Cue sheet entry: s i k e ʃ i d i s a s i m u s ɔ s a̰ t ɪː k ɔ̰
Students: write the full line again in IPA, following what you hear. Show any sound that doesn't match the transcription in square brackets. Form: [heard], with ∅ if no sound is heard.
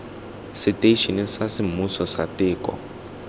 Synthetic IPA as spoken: s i [t] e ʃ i [n] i s a s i m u s ɔ s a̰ t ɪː k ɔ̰